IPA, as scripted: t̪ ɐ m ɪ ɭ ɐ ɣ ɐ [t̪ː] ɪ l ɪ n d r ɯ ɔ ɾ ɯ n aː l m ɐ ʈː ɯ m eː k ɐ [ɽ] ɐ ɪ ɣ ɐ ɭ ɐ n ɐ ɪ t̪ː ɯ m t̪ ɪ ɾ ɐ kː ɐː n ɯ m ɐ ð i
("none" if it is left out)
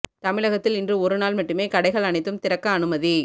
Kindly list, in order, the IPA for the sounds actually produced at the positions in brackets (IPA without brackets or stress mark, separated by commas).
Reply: t̪ː, ɽ